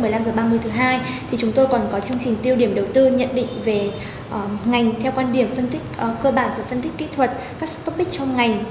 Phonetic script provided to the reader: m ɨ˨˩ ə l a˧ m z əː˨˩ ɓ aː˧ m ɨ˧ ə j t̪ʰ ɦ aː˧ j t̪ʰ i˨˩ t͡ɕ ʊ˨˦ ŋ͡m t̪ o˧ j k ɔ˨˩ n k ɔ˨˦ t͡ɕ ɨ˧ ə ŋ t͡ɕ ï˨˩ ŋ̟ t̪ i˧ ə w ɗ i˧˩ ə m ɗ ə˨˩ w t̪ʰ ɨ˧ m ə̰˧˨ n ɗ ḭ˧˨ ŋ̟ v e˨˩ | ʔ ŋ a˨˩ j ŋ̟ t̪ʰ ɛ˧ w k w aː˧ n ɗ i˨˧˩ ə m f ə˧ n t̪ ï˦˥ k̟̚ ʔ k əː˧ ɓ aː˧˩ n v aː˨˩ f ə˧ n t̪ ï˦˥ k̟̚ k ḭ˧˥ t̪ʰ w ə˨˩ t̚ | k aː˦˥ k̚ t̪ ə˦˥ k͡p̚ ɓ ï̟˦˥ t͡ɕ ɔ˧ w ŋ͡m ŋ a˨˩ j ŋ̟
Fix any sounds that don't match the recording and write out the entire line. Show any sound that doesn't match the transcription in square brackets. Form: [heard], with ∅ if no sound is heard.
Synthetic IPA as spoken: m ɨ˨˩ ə l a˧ m z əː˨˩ ɓ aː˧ m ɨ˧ ə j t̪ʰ ɦ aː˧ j t̪ʰ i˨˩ t͡ɕ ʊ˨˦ ŋ͡m t̪ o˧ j k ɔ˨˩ n k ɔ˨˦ t͡ɕ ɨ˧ ə ŋ t͡ɕ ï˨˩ ŋ̟ t̪ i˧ ə w ɗ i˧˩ ə m ɗ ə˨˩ w [t̪] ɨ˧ [ɲ] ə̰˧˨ n ɗ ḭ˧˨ ŋ̟ v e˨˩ | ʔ ŋ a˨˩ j ŋ̟ t̪ʰ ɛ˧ w k w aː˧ n ɗ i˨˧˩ ə m f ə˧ n t̪ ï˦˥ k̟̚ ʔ k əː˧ ɓ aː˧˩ n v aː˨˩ f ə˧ n t̪ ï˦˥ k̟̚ k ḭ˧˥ t̪ʰ w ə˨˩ t̚ | k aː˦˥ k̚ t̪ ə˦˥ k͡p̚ ɓ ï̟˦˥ t͡ɕ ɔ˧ w ŋ͡m ŋ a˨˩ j ŋ̟